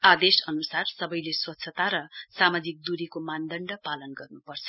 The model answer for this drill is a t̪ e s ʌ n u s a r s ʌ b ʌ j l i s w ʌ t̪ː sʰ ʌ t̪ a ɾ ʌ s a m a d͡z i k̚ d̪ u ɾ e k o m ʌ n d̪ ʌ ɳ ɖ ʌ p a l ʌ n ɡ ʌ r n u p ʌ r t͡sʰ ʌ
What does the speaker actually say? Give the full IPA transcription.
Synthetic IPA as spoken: a d̪ e s ʌ n u s a r s ʌ b ʌ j l e s w ʌ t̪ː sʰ ʌ t̪ a ɾ ʌ s a m a d͡z i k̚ d̪ u ɾ i k o m a n d̪ ʌ ɳ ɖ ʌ p a l ʌ n ɡ ʌ r n u p ʌ r t͡sʰ ʌ